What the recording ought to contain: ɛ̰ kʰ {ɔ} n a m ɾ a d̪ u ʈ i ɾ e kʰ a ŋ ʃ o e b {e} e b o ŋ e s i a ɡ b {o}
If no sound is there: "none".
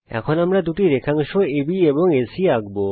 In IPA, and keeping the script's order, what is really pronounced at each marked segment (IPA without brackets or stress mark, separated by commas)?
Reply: o, i, o